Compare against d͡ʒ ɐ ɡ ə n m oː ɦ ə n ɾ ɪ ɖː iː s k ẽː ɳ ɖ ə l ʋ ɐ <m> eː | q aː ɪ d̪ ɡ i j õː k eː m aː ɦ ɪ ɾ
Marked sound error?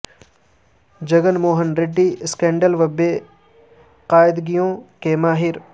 yes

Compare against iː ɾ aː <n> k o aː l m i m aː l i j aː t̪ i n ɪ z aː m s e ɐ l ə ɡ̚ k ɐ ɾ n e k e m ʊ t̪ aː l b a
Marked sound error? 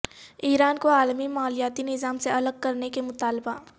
no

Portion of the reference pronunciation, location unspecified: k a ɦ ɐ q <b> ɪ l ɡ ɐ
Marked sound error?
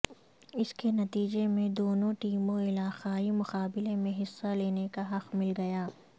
yes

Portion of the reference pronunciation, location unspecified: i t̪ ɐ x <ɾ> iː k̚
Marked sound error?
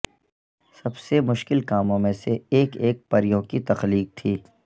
yes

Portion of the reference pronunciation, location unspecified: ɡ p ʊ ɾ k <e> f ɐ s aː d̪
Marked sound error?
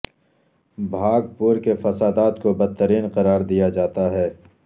no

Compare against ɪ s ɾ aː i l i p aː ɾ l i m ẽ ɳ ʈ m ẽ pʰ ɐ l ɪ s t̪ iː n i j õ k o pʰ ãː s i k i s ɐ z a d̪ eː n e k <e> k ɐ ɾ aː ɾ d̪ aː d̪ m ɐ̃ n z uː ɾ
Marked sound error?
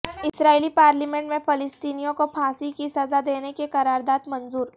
no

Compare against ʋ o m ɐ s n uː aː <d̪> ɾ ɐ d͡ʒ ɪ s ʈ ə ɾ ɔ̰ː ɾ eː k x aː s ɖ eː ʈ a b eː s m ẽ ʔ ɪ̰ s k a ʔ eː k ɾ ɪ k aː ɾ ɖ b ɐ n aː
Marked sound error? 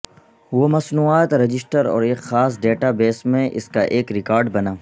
yes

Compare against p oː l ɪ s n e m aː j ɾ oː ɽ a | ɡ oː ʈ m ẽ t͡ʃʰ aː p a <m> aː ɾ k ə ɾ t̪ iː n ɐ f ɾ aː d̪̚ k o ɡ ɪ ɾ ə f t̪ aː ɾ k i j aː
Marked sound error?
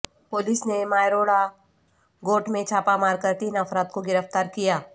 no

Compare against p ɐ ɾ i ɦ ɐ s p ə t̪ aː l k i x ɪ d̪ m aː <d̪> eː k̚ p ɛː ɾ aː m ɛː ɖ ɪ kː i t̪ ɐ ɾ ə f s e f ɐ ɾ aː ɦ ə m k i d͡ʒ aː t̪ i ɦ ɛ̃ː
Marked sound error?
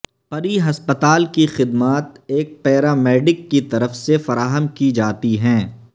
yes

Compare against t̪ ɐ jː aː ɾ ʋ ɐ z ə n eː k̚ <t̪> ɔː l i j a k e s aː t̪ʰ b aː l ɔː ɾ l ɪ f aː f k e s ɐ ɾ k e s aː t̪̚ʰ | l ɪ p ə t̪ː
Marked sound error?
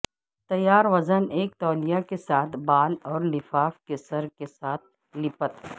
no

